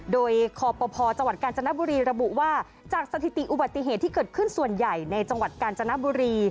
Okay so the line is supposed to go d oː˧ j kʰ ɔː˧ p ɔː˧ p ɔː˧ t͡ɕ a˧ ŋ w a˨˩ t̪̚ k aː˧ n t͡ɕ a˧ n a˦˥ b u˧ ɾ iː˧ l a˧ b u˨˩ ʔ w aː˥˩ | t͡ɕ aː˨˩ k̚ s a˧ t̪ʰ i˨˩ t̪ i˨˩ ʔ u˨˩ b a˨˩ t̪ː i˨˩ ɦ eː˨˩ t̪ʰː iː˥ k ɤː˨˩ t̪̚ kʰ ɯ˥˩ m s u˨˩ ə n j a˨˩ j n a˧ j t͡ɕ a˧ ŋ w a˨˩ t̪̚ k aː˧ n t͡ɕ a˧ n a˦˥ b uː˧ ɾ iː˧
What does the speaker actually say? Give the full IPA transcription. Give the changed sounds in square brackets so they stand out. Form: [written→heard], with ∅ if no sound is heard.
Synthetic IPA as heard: d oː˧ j kʰ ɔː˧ p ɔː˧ [p→pʰ] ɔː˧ t͡ɕ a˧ ŋ w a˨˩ t̪̚ k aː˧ n t͡ɕ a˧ n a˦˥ b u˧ ɾ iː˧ [l→ɾ] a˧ b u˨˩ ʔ w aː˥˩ | t͡ɕ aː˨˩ k̚ s a˧ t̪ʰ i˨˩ t̪ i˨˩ ʔ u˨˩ b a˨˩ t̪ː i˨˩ ɦ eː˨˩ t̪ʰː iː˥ k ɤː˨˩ t̪̚ kʰ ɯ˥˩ [m→n] s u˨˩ ə n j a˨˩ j n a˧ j t͡ɕ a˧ ŋ w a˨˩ t̪̚ k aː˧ n t͡ɕ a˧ n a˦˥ b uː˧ ɾ iː˧